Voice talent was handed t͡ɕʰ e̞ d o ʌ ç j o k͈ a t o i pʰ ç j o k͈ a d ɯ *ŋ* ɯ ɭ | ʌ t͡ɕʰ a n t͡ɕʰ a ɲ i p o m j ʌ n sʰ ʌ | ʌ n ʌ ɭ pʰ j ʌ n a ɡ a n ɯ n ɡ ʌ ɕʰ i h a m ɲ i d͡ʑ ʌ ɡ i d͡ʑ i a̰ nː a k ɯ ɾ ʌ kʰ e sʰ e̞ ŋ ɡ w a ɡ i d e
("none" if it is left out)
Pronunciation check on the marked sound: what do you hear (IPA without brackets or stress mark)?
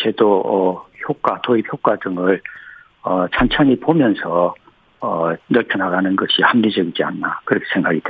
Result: ŋ